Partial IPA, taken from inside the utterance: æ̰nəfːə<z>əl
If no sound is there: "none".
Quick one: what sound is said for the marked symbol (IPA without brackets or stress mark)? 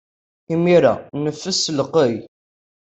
s